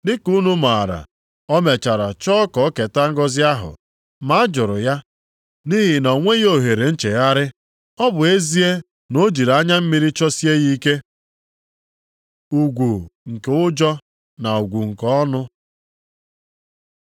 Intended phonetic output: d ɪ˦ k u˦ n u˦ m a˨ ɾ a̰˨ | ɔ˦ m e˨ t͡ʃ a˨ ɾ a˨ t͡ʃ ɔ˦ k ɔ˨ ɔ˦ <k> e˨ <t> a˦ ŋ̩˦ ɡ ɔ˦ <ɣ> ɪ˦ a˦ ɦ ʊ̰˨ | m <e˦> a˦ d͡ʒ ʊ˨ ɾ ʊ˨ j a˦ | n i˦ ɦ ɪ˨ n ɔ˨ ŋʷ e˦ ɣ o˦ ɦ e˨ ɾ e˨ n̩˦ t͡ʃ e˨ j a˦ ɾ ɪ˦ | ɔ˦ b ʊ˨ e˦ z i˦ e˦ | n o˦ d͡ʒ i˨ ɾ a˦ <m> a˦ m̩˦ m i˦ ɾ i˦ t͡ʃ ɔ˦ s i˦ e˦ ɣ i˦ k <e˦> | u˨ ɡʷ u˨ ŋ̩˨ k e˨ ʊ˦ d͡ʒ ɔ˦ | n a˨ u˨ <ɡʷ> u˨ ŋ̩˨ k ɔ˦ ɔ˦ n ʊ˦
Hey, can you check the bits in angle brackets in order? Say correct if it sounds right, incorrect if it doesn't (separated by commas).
correct, correct, incorrect, incorrect, incorrect, correct, correct